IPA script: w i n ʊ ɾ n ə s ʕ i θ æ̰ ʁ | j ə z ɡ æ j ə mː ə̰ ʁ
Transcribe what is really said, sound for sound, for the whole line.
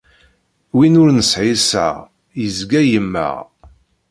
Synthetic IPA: w i n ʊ ɾ n ə s ʕ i s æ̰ ʁ | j ə z ɡ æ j ə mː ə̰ ʁ

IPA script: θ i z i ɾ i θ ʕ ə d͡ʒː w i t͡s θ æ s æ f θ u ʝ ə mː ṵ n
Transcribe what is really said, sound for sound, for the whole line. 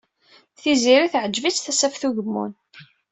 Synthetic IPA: θ i z i ɾ i θ ʕ ə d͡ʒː v i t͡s θ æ s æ f θ u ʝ ə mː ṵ n

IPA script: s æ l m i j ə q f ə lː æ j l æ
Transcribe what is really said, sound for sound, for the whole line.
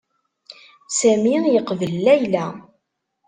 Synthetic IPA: s æ m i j ə q v ə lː æ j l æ

